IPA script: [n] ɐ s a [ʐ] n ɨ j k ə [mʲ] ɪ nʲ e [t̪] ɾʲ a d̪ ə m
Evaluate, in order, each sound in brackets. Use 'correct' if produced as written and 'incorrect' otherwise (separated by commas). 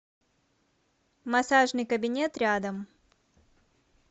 incorrect, correct, incorrect, correct